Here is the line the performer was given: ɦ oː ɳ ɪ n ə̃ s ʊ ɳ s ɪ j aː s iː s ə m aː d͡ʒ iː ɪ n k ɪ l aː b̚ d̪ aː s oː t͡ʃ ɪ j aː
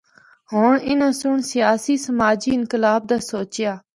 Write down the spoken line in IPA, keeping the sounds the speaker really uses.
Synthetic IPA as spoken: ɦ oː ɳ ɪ n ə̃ s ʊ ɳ s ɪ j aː s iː s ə m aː d͡ʒ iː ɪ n k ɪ l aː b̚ d̪ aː s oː t͡ʃ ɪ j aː